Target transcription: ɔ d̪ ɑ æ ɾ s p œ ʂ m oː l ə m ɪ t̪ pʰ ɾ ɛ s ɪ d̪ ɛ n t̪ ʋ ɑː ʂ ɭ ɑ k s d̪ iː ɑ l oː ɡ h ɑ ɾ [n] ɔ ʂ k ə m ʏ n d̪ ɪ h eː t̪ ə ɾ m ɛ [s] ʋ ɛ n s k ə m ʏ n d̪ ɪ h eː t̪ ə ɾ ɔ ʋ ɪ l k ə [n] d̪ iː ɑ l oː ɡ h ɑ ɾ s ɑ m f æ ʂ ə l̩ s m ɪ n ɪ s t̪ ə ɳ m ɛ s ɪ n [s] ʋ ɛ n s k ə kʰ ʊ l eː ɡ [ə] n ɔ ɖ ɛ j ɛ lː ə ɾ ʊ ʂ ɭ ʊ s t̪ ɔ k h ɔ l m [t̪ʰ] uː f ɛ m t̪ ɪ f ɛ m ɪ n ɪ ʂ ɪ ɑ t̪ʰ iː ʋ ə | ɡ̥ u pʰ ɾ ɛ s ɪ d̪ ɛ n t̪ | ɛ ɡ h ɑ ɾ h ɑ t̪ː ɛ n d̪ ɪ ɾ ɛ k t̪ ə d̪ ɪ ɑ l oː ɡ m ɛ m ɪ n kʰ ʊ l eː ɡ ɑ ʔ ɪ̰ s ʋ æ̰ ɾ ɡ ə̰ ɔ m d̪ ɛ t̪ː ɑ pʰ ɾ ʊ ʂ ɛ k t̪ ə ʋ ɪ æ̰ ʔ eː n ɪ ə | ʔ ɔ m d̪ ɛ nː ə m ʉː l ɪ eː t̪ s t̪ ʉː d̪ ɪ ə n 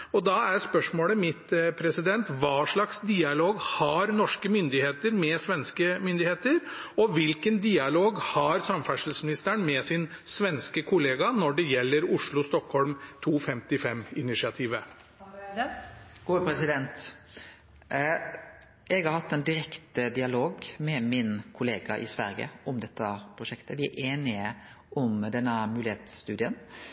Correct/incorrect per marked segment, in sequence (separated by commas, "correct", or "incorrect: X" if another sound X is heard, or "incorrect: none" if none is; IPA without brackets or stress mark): correct, correct, correct, correct, incorrect: ɑ, correct